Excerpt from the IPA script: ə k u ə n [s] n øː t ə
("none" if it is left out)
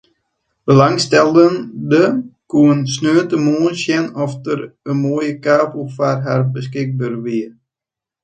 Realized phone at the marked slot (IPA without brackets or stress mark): s